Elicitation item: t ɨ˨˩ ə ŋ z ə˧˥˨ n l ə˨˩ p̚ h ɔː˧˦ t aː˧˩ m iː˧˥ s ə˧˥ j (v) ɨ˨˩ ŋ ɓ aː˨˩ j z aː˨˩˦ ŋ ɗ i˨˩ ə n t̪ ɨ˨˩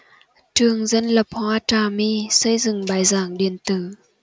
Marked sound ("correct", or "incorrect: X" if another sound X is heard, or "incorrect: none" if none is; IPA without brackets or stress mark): incorrect: z